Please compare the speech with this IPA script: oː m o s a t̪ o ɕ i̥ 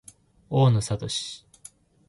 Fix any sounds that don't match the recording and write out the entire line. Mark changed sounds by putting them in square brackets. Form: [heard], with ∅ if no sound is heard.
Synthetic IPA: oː [n] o s a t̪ o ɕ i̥